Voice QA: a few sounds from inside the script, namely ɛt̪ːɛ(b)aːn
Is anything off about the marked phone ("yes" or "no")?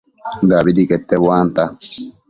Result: yes